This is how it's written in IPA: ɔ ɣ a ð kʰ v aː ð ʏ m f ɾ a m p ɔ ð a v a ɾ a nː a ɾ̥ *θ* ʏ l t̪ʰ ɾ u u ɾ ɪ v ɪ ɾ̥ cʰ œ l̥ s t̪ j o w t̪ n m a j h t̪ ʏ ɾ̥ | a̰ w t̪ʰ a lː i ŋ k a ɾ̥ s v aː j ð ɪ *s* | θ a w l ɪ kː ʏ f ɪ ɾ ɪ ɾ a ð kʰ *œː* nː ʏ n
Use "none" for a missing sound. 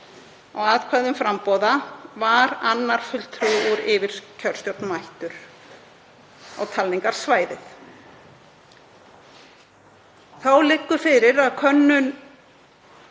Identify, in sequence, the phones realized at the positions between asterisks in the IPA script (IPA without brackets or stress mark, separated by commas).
f, θ, œ